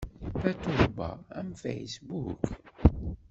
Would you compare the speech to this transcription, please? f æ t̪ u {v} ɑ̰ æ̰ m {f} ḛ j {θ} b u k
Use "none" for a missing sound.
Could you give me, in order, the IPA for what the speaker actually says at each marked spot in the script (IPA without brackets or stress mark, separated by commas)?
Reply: b, f, s